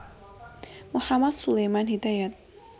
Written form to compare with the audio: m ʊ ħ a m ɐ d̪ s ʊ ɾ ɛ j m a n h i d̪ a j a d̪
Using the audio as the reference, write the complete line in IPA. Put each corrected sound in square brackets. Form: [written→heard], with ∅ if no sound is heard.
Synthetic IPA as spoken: m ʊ ħ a m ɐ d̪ s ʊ [ɾ→l] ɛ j m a n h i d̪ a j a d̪